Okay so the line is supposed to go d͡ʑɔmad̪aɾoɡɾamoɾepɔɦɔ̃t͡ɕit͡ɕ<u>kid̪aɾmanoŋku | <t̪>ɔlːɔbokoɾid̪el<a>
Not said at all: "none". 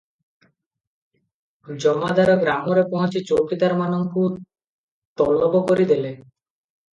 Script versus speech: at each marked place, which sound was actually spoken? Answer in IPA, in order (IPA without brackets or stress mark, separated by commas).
o, t̪, e